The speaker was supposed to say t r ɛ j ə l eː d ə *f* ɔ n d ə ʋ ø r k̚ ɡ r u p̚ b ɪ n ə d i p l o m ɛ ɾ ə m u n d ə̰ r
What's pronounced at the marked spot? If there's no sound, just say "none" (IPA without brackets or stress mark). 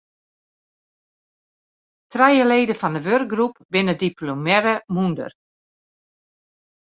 f